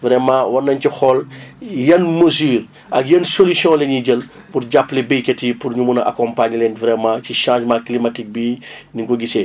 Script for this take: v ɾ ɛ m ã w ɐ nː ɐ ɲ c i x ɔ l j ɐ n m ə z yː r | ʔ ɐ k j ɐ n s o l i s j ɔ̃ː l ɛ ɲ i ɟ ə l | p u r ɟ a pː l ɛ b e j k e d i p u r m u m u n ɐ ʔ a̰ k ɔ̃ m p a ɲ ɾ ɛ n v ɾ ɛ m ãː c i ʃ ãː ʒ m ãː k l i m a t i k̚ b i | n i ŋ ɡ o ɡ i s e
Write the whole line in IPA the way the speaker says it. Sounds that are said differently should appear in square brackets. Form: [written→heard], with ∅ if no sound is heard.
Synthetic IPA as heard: v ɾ ɛ m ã w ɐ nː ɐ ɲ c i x ɔ l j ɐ n m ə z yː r | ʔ ɐ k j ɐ n s o l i s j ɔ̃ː l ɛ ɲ i ɟ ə l | p u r ɟ a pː l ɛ b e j k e [d→t] i p u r [m→ɲ] u m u n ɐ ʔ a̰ k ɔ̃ m p a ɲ [ɾ→l] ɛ n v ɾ ɛ m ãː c i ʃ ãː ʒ m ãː k l i m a t i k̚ b i | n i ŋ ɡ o ɡ i s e